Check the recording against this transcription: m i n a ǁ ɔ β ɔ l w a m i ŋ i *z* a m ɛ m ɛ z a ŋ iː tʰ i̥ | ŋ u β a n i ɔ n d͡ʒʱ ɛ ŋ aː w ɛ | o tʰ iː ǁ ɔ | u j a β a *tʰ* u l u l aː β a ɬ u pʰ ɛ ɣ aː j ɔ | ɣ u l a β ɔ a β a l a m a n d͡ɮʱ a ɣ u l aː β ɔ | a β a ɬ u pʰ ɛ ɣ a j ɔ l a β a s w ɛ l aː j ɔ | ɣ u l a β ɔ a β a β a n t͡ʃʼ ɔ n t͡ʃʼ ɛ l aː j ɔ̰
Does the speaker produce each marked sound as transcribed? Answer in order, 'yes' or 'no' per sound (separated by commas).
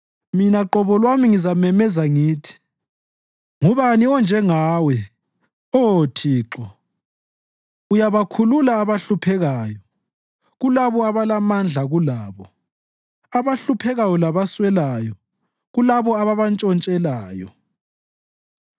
yes, no